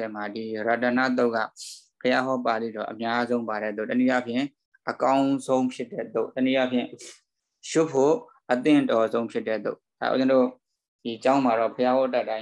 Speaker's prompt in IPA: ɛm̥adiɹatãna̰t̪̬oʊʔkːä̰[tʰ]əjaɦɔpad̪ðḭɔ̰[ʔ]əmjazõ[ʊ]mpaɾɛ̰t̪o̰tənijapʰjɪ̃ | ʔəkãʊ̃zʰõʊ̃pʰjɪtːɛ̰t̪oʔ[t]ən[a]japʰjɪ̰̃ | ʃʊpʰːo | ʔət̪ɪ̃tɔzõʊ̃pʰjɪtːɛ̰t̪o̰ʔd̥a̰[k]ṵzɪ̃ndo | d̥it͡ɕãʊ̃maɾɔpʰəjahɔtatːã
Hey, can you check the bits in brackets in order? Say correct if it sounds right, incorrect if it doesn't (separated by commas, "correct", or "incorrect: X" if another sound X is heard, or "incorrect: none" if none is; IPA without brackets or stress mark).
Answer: incorrect: pʰ, correct, incorrect: ʊ̃, correct, incorrect: i, incorrect: ʔ